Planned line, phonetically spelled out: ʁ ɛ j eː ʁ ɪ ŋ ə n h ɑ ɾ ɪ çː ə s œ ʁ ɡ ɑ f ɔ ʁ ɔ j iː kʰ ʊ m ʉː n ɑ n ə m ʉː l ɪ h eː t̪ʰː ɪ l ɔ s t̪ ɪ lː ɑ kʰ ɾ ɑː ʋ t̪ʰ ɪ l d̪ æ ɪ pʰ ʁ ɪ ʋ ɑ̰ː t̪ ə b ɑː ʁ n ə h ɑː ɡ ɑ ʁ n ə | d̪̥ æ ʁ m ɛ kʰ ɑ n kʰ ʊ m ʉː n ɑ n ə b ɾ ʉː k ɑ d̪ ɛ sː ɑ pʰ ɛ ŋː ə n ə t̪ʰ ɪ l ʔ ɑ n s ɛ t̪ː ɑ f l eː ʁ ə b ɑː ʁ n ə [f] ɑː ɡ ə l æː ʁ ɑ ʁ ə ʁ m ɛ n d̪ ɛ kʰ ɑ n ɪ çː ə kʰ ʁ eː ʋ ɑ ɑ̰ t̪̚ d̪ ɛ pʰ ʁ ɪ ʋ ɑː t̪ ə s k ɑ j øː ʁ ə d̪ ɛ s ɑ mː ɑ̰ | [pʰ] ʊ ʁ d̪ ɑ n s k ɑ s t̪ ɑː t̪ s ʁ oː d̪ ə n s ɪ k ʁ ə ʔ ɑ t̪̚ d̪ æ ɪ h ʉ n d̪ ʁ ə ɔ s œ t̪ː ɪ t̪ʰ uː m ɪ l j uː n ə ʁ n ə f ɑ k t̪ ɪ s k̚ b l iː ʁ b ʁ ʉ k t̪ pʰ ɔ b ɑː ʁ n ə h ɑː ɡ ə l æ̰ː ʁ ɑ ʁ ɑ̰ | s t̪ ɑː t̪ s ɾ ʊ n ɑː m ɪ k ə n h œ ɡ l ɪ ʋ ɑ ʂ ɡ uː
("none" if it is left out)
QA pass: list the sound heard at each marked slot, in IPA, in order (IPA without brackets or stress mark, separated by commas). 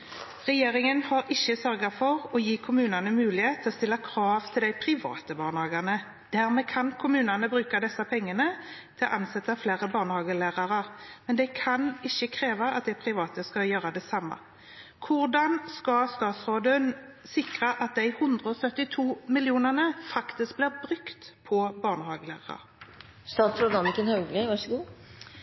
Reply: h, kʰ